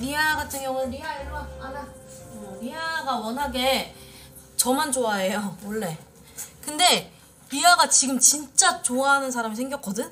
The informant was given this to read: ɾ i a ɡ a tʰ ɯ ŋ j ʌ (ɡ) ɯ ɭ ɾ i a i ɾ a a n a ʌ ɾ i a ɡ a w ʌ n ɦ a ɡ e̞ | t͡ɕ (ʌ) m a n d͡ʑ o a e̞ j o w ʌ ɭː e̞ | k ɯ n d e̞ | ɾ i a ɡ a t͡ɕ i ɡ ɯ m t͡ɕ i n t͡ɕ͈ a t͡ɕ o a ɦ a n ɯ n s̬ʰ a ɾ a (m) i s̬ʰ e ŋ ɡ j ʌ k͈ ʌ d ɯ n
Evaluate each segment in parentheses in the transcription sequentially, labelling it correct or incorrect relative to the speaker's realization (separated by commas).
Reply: incorrect, correct, correct